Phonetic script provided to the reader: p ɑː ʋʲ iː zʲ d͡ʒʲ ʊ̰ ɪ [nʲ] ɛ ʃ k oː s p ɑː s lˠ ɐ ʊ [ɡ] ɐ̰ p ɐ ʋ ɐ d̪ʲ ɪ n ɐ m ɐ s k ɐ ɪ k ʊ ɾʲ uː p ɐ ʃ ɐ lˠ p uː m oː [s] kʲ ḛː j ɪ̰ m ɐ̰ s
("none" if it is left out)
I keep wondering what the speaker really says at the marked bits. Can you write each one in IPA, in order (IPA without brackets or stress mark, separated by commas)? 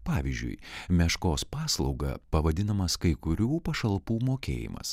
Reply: mʲ, ɡ, none